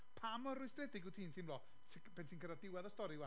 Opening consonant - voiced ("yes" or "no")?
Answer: no